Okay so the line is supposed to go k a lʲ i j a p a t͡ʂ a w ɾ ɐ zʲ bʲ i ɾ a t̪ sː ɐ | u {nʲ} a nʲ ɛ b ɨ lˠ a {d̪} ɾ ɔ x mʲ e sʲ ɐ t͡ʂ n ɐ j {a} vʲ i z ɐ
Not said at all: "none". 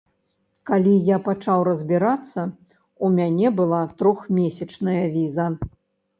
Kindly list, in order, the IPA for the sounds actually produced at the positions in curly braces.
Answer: mʲ, t̪, ɐ

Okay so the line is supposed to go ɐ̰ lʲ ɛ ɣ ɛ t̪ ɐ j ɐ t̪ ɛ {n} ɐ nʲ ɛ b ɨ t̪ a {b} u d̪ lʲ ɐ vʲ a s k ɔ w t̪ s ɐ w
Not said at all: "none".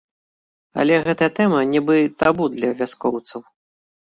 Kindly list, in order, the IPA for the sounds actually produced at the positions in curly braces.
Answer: m, b

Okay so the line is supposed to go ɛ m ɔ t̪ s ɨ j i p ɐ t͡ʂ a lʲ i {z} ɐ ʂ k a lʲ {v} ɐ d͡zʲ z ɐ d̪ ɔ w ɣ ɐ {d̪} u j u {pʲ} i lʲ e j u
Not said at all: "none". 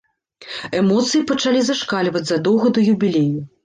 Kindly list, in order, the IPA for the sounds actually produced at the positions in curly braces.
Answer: z, v, d̪, bʲ

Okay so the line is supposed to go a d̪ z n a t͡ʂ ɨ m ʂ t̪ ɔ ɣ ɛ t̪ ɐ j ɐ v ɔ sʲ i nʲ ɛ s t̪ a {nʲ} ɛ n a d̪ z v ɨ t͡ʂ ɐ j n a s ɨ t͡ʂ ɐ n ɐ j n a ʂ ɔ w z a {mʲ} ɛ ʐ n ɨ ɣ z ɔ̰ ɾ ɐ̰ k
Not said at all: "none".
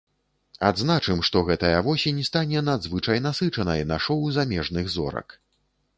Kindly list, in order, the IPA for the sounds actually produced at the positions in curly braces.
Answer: nʲ, mʲ

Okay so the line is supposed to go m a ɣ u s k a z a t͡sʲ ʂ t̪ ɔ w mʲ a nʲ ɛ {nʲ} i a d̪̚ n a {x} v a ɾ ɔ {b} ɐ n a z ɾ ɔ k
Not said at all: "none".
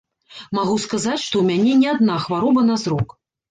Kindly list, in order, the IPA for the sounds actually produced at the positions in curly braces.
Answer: nʲ, x, b

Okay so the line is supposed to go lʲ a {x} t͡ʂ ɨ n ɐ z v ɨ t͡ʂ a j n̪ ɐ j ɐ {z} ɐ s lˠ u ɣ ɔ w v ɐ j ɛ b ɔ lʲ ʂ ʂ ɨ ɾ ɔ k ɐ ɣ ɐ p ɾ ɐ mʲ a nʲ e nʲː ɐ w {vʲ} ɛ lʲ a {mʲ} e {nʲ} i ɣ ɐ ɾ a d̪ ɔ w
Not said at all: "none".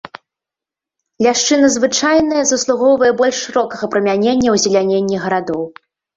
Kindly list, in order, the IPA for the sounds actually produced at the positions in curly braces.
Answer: ʂ, z, zʲ, nʲ, nʲː

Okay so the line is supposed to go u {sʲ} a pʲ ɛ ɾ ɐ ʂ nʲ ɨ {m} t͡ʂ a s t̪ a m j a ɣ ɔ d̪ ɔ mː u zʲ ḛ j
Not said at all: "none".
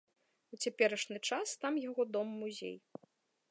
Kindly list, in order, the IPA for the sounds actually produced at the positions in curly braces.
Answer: t͡sʲ, none

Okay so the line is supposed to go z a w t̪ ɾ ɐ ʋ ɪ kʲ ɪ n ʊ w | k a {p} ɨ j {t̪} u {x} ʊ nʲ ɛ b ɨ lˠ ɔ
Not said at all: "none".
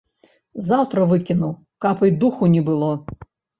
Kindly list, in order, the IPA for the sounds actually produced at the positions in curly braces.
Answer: p, d̪, x

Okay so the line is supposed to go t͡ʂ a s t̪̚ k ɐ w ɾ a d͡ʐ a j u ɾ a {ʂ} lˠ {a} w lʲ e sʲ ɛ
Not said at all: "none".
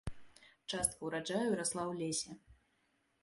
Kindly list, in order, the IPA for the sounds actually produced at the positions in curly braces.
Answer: s, a

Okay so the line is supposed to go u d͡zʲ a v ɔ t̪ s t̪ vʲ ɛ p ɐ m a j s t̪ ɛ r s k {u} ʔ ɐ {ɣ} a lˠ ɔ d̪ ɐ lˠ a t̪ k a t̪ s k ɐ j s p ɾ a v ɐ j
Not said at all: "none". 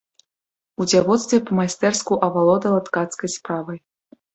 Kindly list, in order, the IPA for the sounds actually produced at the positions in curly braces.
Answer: u, v

